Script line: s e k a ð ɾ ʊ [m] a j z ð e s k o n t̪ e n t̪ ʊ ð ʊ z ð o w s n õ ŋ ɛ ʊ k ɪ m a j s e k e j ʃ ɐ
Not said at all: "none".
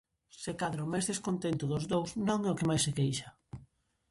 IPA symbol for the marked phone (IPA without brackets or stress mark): m